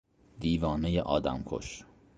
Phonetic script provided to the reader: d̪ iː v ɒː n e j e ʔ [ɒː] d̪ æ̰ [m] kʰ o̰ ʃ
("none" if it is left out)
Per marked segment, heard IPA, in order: ɒː, m

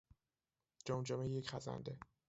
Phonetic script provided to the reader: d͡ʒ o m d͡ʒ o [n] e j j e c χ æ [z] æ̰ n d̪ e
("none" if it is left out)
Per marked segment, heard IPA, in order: m, z

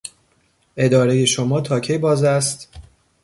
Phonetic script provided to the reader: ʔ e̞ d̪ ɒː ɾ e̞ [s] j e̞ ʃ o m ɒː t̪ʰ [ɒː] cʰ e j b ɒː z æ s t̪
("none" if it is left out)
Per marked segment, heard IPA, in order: none, ɒː

